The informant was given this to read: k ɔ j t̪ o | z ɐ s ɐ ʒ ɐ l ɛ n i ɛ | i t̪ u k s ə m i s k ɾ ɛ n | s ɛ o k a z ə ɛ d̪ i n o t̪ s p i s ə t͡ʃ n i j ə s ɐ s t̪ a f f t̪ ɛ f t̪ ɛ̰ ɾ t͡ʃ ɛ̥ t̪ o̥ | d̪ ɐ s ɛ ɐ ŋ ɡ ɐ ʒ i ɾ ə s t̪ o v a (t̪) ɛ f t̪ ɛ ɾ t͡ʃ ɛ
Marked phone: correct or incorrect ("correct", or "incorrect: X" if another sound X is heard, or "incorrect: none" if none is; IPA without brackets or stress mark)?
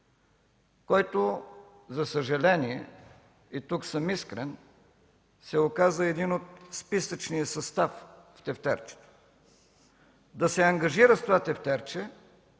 correct